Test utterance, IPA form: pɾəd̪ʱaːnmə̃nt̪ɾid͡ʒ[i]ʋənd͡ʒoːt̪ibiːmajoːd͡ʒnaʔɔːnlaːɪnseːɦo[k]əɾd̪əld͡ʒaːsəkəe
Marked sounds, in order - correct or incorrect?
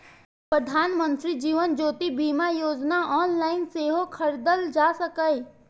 incorrect: iː, incorrect: kʰ

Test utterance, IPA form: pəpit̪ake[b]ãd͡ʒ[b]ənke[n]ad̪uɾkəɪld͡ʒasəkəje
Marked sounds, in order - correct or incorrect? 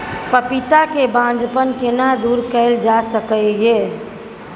correct, incorrect: p, correct

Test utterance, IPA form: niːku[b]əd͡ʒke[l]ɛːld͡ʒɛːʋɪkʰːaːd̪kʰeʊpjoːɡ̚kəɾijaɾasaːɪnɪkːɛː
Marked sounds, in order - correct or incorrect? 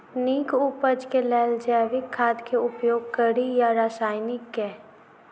incorrect: p, correct

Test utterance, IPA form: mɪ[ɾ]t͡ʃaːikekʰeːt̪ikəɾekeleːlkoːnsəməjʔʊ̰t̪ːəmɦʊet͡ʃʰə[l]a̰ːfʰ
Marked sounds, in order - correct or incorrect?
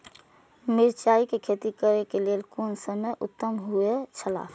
correct, correct

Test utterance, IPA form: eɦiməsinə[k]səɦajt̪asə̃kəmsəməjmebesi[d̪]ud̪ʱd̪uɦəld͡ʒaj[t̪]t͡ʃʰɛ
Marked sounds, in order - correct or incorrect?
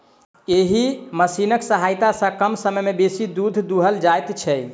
correct, correct, correct

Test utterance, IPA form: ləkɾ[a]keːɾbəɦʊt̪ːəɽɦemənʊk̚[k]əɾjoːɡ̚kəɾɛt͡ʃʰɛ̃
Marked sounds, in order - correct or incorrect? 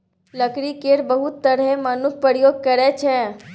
incorrect: i, incorrect: p

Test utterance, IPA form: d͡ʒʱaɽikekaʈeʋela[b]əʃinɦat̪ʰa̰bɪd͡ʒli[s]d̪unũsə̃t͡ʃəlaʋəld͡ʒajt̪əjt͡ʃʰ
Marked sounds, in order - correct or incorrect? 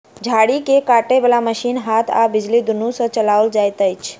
incorrect: m, incorrect: none

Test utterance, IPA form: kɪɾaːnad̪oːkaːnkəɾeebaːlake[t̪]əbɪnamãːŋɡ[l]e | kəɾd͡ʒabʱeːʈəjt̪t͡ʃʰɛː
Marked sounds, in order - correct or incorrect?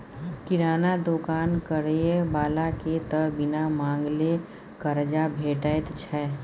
correct, correct

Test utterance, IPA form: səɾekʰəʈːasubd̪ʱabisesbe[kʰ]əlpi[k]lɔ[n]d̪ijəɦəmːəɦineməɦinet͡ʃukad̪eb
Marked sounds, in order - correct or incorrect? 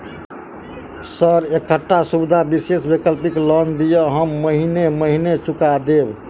incorrect: k, correct, correct

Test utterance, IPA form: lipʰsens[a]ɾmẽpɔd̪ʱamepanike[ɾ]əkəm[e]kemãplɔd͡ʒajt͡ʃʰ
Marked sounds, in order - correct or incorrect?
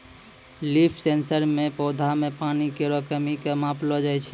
incorrect: ə, correct, incorrect: i

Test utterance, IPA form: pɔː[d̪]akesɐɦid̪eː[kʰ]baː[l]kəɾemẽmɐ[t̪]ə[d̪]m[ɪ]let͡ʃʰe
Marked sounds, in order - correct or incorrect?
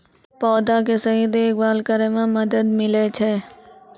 correct, incorrect: k, correct, incorrect: d̪, correct, correct

